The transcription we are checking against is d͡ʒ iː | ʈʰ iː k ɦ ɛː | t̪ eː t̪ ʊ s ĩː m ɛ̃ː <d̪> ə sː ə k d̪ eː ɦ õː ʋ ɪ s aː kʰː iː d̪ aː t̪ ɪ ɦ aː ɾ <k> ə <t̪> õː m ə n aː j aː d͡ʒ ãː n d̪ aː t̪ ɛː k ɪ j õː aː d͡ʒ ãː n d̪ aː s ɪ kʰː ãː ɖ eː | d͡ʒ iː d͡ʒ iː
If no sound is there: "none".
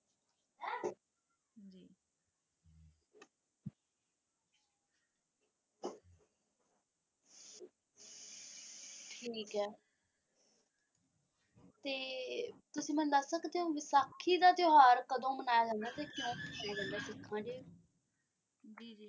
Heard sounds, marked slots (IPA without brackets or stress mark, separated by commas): d̪, k, d̪